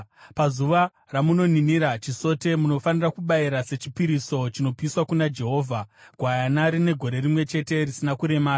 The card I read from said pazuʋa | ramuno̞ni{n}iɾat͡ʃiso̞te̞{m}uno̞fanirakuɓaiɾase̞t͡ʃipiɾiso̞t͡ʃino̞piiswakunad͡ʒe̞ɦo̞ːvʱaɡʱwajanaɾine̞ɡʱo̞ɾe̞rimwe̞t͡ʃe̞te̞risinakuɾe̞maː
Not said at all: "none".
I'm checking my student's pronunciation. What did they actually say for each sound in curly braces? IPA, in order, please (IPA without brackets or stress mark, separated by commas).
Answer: n, m